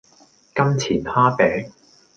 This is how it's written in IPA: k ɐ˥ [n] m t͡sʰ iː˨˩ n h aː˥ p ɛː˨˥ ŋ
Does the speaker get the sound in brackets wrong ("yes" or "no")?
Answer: yes